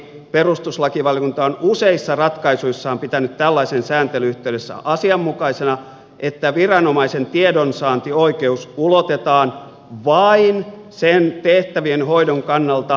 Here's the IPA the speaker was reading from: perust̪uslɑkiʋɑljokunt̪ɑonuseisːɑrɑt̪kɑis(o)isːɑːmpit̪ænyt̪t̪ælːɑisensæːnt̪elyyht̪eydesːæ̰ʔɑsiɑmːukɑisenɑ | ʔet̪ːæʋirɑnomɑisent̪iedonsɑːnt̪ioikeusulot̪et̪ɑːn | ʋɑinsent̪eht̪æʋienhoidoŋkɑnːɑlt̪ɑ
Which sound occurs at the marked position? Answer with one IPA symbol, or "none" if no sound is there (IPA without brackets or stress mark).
u